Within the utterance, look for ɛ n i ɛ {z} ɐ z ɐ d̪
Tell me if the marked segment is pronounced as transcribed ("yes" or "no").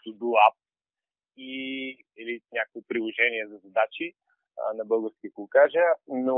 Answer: yes